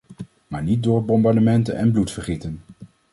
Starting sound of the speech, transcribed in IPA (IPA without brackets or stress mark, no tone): m